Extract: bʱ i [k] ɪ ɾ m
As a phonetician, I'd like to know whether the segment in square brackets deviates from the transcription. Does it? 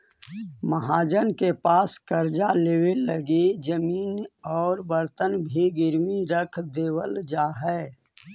yes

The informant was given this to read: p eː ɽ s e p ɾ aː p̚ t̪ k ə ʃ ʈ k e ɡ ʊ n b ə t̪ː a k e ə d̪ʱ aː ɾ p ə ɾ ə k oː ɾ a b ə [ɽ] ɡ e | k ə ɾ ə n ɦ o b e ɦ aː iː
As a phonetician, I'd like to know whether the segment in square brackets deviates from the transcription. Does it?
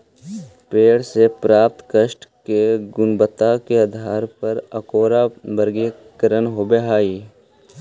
yes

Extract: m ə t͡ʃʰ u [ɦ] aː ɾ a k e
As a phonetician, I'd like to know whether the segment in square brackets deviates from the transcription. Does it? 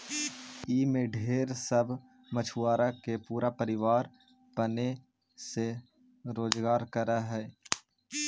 yes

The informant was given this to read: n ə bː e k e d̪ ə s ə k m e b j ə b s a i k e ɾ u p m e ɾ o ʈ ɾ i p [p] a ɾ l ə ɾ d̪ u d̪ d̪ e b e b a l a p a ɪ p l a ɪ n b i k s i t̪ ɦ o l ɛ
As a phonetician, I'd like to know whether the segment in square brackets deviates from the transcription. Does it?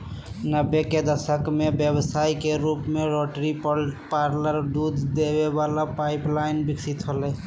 no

